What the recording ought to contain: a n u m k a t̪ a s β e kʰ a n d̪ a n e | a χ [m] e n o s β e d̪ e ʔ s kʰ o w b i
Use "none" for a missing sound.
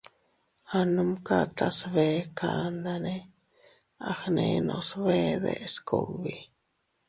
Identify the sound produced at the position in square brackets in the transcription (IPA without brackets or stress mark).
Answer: n